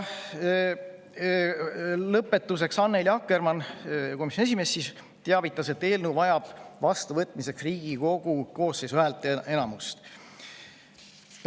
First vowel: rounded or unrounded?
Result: unrounded